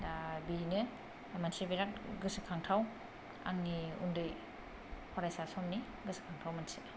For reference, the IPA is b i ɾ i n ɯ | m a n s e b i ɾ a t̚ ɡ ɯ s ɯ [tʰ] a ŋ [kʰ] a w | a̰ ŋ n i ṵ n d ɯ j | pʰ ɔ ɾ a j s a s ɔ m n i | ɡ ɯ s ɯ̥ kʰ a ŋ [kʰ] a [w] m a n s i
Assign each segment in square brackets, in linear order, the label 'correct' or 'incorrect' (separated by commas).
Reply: incorrect, incorrect, incorrect, correct